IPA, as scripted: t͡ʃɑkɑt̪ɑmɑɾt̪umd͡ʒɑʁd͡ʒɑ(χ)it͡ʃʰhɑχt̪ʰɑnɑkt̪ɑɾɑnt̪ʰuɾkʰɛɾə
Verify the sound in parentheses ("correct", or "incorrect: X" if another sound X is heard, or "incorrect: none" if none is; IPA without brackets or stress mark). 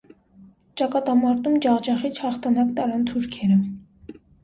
correct